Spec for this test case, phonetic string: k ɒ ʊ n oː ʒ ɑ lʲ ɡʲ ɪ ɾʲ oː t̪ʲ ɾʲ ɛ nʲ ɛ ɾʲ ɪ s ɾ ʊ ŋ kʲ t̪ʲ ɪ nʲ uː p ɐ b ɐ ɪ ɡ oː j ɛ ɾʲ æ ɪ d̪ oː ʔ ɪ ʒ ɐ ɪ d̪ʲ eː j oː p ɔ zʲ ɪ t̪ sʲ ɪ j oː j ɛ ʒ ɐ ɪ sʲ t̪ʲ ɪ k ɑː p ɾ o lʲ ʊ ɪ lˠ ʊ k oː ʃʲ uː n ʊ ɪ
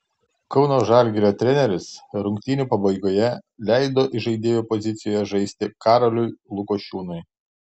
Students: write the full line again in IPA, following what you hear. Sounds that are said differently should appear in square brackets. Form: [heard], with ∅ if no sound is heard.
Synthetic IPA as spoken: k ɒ ʊ n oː ʒ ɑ lʲ ɡʲ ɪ ɾʲ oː t̪ʲ ɾʲ ɛ nʲ ɛ ɾʲ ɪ s ɾ ʊ ŋ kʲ t̪ʲ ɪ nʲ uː p ɐ b ɐ ɪ ɡ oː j ɛ [lʲ] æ ɪ d̪ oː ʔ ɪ ʒ ɐ ɪ d̪ʲ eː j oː p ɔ zʲ ɪ t̪ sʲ ɪ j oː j ɛ ʒ ɐ ɪ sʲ t̪ʲ ɪ k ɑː [∅] ɾ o lʲ ʊ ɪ lˠ ʊ k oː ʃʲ uː n ʊ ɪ

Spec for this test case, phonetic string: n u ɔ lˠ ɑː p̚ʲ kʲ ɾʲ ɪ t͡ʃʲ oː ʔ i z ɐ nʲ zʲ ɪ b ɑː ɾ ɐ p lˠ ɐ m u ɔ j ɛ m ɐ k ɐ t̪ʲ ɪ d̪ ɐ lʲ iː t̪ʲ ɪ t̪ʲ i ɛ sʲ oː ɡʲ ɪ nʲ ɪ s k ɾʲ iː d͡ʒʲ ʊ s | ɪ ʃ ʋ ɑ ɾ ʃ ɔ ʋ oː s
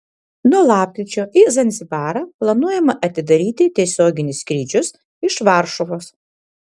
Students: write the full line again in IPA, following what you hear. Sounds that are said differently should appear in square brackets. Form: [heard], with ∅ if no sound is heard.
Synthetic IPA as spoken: n u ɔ lˠ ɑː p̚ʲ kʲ ɾʲ ɪ t͡ʃʲ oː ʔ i z ɐ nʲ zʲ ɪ b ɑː ɾ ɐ p lˠ ɐ [n] u ɔ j ɛ m ɐ [ʔ] ɐ t̪ʲ ɪ d̪ ɐ [ɾʲ] iː t̪ʲ ɪ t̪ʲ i ɛ sʲ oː ɡʲ ɪ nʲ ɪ s k ɾʲ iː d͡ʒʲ ʊ s | ɪ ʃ ʋ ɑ ɾ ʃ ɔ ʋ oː s

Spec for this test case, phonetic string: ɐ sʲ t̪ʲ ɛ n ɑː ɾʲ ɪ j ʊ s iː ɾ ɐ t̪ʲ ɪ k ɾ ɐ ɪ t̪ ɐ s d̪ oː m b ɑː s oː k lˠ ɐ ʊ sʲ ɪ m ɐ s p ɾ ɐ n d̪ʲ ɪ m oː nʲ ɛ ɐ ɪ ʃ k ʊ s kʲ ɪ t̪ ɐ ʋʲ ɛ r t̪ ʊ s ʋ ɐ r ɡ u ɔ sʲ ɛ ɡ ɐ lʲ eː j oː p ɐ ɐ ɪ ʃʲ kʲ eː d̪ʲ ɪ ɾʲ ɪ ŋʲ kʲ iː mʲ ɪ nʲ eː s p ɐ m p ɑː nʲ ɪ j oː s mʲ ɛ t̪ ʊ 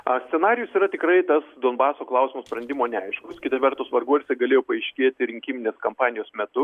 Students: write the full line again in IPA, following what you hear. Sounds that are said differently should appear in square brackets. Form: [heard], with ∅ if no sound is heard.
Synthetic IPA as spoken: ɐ sʲ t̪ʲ ɛ n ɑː ɾʲ ɪ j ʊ s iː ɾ ɐ t̪ʲ ɪ k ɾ ɐ ɪ t̪ ɐ s d̪ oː [n] b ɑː s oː k lˠ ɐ ʊ sʲ ɪ m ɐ s p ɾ ɐ n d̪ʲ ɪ m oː nʲ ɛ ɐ ɪ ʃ k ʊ s kʲ ɪ t̪ ɐ ʋʲ ɛ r t̪ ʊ s ʋ ɐ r ɡ u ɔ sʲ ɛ ɡ ɐ lʲ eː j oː p ɐ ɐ ɪ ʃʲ kʲ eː [t̪ʲ] ɪ ɾʲ ɪ ŋʲ kʲ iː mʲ ɪ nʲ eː s [k] ɐ m p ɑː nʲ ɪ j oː s mʲ ɛ t̪ ʊ

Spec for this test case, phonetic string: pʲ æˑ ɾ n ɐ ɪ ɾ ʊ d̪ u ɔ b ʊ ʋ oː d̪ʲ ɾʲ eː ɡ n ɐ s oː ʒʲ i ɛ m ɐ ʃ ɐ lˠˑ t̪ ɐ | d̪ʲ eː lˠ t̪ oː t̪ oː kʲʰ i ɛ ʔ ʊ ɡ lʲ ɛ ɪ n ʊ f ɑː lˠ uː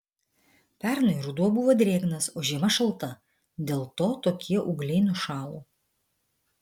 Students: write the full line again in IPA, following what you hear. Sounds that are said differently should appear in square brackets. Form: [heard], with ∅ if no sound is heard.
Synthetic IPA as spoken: pʲ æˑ ɾ n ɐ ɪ ɾ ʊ d̪ u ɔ b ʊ ʋ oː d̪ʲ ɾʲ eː ɡ n ɐ s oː ʒʲ i ɛ m ɐ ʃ ɐ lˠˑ t̪ ɐ | d̪ʲ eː lˠ t̪ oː t̪ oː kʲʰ i ɛ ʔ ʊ ɡ lʲ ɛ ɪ n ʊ [ʃ] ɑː lˠ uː

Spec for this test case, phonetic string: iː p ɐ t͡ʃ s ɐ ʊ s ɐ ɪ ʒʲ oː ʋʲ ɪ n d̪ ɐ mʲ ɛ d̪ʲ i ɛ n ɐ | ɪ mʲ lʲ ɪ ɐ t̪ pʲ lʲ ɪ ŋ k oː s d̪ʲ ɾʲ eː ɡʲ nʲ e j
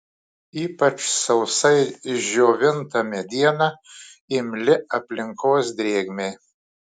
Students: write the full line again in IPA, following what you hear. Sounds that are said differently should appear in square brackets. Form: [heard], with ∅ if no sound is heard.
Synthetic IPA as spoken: iː p ɐ t͡ʃ s ɐ ʊ s ɐ ɪ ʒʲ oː ʋʲ ɪ n [t̪] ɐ mʲ ɛ d̪ʲ i ɛ n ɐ | ɪ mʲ lʲ ɪ ɐ [∅] pʲ lʲ ɪ ŋ k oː s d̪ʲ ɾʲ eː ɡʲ [mʲ] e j

